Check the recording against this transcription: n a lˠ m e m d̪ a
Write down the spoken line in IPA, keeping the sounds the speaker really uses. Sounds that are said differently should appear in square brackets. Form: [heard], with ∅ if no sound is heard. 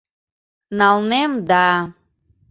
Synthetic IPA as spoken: n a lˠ [n] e m d̪ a